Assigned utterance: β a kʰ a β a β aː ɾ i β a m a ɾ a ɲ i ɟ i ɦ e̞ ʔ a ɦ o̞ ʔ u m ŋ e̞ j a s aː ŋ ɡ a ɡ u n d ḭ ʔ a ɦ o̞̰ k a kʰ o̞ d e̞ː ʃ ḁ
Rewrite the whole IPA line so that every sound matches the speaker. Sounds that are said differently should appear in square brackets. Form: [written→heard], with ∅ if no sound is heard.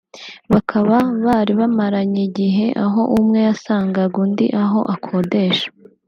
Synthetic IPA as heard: β a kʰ a β a β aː ɾ i β a m a ɾ a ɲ i ɟ i ɦ e̞ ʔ a ɦ o̞ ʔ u m ŋ e̞ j a s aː ŋ ɡ a ɡ u n d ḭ ʔ a ɦ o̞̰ [k→ʔ] a kʰ o̞ d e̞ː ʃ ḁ